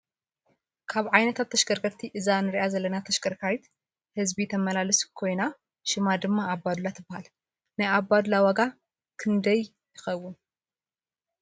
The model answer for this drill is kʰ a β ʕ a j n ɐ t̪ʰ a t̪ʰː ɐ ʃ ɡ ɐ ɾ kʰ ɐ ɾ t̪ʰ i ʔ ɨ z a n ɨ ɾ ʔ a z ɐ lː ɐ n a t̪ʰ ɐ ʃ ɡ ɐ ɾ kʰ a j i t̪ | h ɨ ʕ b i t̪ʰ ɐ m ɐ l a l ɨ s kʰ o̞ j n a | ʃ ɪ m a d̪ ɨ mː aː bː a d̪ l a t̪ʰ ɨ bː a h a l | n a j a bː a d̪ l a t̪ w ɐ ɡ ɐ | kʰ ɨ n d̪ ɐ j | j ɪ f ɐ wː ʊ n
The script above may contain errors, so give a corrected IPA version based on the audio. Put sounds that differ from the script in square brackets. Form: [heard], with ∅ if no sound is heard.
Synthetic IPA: kʰ a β ʕ a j n ɐ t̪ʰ a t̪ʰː ɐ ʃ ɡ ɐ ɾ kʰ ɐ ɾ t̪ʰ i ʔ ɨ z a n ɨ ɾ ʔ a z ɐ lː ɐ n a t̪ʰ ɐ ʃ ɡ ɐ ɾ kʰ a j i t̪ | h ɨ [z] b i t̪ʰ ɐ m ɐ l a l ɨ s kʰ o̞ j n a | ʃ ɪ m a d̪ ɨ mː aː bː a d̪ l a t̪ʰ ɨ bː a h a l | n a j a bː a d̪ l a [∅] w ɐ ɡ [a] | kʰ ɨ n d̪ ɐ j | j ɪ [x] ɐ wː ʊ n